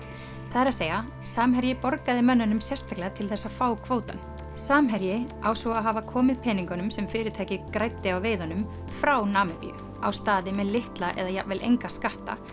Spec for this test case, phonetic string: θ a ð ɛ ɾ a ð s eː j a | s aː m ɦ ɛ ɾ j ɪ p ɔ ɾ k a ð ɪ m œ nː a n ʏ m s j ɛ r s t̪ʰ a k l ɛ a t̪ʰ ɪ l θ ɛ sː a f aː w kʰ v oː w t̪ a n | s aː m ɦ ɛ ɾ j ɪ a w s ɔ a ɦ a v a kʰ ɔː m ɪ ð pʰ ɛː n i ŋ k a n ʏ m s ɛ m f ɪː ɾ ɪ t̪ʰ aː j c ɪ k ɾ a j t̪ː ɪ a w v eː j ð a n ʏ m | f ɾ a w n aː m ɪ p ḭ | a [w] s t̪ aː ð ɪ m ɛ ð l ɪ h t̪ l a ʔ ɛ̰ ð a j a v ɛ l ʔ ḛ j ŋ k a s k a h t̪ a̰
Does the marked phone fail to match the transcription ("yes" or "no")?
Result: no